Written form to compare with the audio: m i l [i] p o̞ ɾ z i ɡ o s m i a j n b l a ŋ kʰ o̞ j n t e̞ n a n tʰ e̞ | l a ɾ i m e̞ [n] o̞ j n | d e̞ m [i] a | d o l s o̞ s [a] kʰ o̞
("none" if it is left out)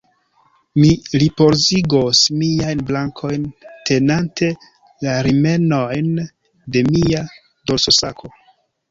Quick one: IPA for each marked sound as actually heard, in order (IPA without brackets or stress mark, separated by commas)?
i, n, i, a